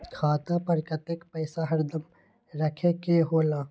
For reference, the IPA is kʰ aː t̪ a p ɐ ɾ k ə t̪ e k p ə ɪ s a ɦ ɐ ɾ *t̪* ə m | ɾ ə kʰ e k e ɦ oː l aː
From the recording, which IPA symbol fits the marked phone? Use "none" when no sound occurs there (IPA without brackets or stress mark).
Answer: d̪